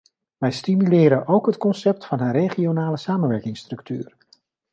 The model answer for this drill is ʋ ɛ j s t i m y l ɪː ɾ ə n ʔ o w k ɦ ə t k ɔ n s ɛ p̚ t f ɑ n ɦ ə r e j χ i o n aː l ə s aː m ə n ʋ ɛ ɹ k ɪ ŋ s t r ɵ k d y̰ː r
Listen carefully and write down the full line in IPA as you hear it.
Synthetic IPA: ʋ ɛ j s t i m y l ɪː ɾ ə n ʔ o w k ɦ ə t k ɔ n s ɛ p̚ t f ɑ n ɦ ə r e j χ i o n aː l ə s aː m ə n ʋ ɛ ɹ k ɪ ŋ s t r ɵ k t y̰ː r